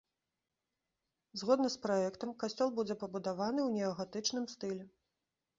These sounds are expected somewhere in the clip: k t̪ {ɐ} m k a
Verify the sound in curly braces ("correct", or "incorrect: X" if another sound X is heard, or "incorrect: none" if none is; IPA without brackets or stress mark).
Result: correct